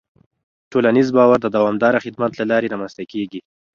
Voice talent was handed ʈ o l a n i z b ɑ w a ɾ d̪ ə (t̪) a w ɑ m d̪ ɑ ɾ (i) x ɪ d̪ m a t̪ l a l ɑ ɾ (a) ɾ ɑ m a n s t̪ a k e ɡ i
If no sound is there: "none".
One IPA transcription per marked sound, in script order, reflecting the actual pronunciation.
d̪, a, e

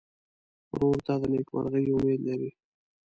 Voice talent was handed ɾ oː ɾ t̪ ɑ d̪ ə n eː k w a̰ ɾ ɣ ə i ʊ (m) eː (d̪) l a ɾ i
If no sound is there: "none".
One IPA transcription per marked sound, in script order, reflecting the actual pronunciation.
m, d̪

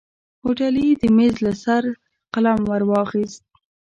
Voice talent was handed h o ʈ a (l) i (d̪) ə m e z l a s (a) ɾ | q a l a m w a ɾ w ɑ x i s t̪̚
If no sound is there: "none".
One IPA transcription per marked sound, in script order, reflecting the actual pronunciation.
l, d̪, a

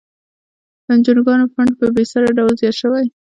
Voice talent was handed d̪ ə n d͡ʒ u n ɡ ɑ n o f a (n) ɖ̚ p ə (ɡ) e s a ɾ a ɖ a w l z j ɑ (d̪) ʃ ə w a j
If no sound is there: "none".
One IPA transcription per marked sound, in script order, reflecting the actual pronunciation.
ɳ, b, t̪

